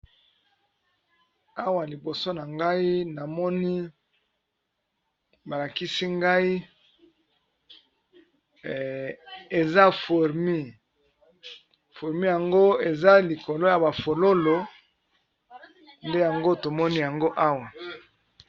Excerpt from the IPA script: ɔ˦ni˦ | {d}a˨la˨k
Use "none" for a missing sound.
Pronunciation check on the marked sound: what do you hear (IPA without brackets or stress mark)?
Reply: b